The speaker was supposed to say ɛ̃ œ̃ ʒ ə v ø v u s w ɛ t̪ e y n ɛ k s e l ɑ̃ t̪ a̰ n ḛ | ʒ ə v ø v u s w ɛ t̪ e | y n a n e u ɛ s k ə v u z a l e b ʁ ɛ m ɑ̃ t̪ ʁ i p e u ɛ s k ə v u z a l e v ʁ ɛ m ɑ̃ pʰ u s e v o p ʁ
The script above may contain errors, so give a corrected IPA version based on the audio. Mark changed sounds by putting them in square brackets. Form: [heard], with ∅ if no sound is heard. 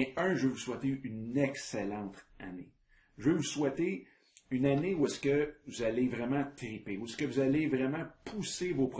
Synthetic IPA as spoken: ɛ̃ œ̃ ʒ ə v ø v u s w ɛ t̪ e y n ɛ k s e l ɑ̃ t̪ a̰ n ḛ | ʒ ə v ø v u s w ɛ t̪ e | y n a n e u ɛ s k ə v u z a l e [v] ʁ ɛ m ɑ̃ t̪ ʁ i p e u ɛ s k ə v u z a l e v ʁ ɛ m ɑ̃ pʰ u s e v o p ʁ